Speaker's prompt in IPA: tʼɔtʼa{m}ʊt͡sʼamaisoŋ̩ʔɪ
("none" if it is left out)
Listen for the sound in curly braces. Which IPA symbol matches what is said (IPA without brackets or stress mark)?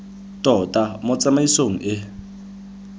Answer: m